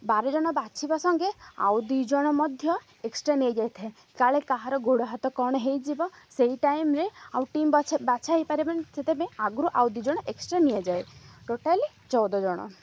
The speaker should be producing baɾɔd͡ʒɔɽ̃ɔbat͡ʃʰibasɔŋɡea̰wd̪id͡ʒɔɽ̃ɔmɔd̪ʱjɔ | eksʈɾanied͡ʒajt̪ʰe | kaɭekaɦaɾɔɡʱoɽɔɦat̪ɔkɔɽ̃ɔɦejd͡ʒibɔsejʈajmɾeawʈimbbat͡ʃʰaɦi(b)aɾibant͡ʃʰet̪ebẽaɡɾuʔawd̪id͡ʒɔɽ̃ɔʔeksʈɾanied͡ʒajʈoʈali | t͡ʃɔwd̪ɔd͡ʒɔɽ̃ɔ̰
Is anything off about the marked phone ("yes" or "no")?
yes